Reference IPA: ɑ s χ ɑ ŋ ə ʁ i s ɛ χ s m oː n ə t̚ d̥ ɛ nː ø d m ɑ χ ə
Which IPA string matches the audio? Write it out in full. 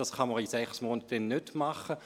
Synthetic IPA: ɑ s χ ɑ m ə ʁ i s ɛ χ s m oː n ə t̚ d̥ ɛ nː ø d m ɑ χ ə